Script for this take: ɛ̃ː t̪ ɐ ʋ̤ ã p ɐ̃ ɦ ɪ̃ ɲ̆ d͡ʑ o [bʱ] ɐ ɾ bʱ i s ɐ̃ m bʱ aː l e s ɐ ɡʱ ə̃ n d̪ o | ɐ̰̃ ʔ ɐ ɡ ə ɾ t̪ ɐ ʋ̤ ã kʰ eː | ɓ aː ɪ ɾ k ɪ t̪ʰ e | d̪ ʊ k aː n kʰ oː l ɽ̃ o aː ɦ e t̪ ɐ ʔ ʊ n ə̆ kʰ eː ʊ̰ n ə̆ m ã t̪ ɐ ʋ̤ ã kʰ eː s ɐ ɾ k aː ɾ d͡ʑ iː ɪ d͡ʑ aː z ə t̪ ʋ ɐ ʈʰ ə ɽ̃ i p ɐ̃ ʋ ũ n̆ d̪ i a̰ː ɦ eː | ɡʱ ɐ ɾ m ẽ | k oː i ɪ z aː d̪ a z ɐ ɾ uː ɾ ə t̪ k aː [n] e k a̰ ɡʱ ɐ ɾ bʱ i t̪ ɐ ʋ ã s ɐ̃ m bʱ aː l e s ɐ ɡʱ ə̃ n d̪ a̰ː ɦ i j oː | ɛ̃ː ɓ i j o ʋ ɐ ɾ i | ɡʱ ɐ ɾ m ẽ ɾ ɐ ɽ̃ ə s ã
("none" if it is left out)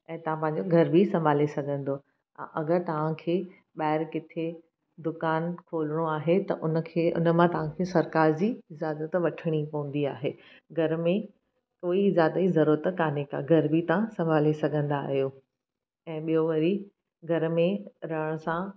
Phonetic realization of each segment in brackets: ɡʱ, n

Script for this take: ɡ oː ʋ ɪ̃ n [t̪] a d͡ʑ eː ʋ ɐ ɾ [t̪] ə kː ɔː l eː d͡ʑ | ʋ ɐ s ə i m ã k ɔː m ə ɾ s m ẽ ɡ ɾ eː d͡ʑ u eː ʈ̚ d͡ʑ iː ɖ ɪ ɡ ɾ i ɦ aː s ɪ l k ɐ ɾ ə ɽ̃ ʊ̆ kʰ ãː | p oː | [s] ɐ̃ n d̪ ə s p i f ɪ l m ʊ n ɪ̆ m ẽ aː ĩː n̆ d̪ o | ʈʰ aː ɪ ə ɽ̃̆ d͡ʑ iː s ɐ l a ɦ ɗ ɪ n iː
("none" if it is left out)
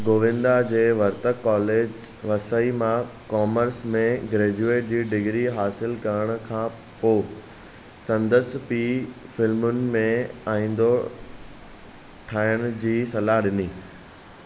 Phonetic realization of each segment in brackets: d̪, t̪, s

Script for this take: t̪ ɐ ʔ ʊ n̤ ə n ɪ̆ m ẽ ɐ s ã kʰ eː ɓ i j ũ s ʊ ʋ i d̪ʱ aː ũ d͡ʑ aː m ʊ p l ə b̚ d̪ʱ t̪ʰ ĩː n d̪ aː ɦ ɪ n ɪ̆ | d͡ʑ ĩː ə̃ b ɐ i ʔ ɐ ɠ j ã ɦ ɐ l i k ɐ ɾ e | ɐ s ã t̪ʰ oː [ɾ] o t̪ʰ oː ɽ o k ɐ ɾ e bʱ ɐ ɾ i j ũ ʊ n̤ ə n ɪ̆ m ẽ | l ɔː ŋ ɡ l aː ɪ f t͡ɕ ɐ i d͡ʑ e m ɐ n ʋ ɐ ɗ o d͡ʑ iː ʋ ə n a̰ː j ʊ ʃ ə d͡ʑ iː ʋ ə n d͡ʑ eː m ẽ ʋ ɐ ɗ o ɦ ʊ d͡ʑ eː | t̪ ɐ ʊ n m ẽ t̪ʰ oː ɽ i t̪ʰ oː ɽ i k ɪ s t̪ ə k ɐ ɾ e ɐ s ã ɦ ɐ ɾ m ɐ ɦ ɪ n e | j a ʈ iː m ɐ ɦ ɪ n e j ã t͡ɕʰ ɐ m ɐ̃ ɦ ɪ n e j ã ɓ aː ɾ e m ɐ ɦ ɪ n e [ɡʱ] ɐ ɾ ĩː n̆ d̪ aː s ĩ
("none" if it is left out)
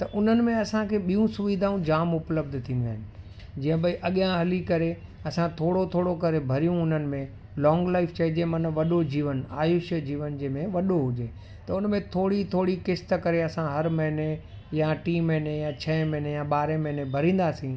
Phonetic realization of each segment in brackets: ɽ, bʱ

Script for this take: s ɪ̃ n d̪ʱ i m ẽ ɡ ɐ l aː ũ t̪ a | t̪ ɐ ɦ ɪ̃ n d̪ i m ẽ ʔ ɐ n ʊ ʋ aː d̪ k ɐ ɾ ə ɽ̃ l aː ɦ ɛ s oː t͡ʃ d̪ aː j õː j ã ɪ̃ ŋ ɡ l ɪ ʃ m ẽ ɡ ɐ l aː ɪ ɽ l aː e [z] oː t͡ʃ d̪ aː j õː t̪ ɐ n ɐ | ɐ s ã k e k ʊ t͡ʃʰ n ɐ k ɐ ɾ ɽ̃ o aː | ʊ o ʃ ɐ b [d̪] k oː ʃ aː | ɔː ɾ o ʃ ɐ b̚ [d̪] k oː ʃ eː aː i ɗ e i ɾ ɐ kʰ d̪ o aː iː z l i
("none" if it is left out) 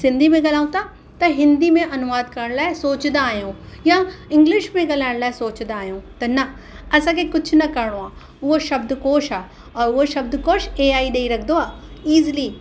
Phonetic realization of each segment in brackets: s, d̪, d̪

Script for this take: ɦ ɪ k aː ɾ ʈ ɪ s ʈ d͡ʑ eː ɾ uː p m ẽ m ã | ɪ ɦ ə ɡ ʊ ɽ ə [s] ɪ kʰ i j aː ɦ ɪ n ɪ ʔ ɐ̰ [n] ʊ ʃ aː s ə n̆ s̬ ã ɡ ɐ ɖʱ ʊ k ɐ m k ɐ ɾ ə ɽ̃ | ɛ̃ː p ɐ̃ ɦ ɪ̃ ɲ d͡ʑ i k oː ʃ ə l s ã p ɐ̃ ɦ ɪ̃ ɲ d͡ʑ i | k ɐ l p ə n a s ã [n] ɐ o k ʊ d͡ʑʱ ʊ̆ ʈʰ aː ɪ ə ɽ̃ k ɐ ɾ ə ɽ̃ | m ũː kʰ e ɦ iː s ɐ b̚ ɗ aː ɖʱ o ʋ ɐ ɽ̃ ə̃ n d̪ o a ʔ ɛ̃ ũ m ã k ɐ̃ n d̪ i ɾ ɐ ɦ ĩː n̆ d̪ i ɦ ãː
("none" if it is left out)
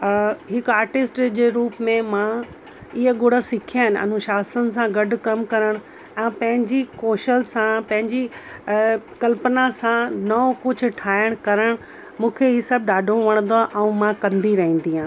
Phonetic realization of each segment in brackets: s, n, n

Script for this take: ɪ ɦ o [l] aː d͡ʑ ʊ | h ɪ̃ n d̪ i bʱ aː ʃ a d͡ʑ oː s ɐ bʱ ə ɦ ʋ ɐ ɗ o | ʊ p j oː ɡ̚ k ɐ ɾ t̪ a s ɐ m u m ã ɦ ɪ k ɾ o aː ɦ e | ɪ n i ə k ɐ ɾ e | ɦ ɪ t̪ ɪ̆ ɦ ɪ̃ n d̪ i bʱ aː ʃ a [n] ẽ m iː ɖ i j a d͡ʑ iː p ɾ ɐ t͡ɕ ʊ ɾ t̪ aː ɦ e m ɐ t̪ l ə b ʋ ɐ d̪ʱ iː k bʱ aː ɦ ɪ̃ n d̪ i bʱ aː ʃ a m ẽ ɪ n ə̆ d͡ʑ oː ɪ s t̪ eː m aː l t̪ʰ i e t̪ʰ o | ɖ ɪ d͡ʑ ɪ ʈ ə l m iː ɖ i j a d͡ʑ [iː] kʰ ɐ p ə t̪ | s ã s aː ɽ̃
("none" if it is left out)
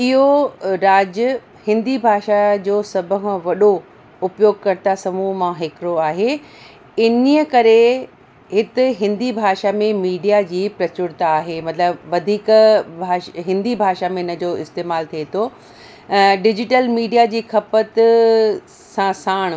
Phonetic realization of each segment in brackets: ɾ, m, iː

